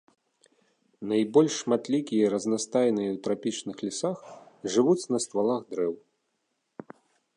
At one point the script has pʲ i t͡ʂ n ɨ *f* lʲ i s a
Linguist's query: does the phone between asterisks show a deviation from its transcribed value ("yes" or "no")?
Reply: yes